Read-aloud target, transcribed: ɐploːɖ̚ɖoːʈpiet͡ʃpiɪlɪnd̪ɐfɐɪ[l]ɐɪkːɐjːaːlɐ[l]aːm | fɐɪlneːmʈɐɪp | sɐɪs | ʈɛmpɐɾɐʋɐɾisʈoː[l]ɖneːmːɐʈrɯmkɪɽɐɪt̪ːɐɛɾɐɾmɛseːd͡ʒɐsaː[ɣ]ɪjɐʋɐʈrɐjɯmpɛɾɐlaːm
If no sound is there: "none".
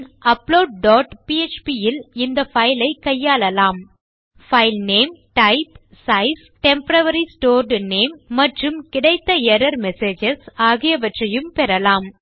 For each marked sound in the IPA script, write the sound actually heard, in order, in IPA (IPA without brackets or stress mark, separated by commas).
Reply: l, l, ɾ, ɣ